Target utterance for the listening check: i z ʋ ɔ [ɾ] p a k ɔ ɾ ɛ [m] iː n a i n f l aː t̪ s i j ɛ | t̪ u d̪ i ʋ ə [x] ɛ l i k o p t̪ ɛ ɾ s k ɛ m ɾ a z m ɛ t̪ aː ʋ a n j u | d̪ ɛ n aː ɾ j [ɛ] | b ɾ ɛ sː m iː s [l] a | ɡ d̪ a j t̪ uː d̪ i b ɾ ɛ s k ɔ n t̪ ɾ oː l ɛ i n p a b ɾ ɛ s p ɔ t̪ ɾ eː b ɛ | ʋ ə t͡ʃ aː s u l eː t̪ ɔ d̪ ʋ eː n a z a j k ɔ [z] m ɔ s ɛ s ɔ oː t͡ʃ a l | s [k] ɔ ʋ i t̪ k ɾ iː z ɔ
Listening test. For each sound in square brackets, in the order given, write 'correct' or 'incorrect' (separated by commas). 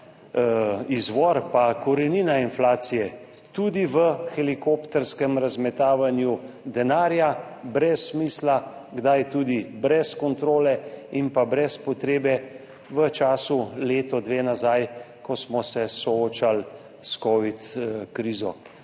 correct, incorrect, correct, incorrect, correct, incorrect, correct